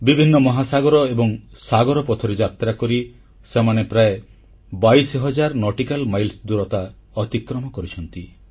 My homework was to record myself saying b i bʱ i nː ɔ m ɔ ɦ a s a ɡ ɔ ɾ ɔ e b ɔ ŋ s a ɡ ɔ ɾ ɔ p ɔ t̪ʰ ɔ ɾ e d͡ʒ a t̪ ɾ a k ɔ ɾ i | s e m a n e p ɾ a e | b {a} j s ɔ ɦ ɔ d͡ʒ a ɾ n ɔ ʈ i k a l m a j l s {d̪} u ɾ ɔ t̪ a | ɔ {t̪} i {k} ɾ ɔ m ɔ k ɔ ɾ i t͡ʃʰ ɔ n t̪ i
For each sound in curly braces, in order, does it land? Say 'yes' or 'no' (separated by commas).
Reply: yes, yes, yes, yes